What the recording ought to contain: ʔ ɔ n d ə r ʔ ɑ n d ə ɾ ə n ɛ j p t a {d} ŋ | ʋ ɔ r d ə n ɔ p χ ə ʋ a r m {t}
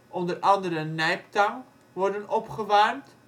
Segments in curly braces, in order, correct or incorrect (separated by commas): incorrect, correct